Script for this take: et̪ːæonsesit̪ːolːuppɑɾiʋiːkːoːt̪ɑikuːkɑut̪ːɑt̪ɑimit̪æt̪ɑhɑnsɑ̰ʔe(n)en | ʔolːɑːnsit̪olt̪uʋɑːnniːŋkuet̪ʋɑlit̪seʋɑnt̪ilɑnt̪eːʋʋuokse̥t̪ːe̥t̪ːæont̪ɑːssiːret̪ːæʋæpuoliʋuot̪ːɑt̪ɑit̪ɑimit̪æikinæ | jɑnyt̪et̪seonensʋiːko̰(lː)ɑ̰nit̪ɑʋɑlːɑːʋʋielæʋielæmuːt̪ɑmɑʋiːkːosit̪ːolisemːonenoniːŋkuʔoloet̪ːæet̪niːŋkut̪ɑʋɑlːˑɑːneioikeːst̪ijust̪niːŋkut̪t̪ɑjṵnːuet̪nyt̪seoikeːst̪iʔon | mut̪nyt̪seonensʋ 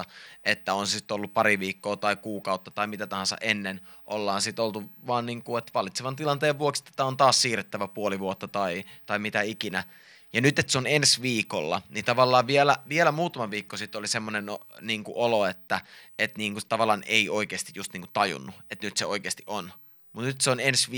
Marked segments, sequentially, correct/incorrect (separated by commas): incorrect, correct